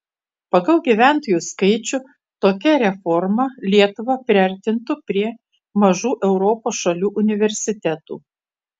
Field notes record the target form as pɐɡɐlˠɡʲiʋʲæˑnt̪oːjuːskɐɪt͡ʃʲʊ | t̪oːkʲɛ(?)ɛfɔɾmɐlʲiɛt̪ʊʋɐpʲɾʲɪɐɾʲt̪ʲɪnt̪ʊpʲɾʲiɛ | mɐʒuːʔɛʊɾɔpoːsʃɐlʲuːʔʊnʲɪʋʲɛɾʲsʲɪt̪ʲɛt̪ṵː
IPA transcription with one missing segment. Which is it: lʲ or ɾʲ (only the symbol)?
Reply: ɾʲ